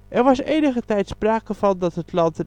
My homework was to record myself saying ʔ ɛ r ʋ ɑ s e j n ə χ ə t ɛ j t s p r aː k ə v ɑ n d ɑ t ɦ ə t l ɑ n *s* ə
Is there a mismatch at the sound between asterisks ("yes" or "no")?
yes